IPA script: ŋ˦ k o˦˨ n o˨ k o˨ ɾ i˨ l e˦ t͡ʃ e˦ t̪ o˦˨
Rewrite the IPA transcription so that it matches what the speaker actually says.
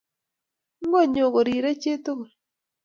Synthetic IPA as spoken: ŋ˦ ɡ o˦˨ ɲ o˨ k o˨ ɾ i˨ ɾ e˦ t͡ʃ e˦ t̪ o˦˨

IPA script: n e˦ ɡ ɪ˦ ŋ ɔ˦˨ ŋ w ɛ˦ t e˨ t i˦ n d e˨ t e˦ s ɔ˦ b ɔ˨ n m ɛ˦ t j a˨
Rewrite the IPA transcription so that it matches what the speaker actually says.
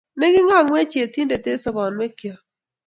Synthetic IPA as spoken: n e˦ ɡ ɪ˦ ŋ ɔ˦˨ ŋ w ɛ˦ t͡ʃ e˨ t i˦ n d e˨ t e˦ s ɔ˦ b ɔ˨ n m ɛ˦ k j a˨

